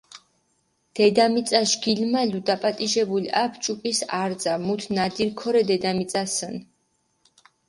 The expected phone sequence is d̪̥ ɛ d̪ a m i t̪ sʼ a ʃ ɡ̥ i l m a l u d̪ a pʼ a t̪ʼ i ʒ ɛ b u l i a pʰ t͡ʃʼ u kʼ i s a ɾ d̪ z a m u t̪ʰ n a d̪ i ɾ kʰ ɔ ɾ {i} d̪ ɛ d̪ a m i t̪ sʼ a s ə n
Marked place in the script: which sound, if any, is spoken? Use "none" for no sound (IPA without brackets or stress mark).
ɛ